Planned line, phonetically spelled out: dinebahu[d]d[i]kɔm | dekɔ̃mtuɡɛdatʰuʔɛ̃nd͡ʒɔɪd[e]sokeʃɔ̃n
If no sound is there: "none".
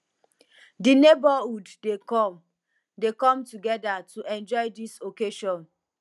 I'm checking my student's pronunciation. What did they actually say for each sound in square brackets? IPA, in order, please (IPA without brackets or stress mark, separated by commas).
d, e, i